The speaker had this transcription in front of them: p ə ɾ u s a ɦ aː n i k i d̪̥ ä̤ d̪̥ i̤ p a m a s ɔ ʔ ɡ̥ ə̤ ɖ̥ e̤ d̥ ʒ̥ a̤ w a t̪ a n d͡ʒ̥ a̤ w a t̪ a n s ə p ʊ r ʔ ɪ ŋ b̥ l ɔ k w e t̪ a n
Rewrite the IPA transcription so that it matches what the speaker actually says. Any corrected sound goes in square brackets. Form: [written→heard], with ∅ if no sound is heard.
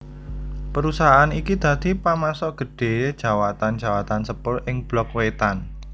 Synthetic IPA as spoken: p ə ɾ u s a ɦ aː n i k i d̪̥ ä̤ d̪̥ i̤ p a m a s ɔ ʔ ɡ̥ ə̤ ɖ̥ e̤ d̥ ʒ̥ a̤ w a t̪ a n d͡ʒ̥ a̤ w a t̪ a n s ə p ʊ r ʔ ɪ ŋ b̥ l ɔ k w e t̪ a n

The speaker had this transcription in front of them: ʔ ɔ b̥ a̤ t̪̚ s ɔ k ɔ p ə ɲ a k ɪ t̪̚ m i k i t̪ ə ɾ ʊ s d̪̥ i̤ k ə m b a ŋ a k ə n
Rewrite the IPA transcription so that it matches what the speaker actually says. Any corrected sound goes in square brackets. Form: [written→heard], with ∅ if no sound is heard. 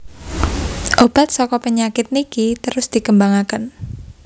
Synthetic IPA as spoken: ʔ [ɔ→o] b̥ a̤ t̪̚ s ɔ k ɔ p ə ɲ a k ɪ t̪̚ [m→n] i k i t̪ ə ɾ ʊ s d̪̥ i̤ k ə m b a ŋ a k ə n

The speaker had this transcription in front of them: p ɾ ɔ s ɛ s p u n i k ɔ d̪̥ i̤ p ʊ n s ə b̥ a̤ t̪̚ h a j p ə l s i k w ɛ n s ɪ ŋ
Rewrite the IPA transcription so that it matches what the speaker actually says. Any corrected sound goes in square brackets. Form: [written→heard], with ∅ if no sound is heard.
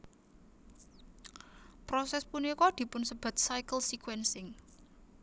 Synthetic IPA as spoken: p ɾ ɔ s ɛ s p u n i k ɔ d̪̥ i̤ p ʊ n s ə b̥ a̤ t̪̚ [h→s] a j [p→k] ə l s i k w ɛ n s ɪ ŋ

